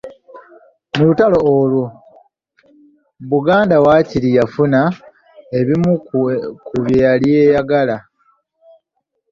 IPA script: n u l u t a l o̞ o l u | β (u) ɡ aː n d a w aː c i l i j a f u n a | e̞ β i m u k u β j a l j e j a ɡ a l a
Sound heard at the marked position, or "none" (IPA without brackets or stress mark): u